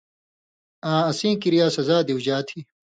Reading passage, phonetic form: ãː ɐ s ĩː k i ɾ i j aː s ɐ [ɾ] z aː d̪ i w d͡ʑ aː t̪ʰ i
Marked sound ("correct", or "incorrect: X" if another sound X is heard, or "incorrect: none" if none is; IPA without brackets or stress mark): incorrect: none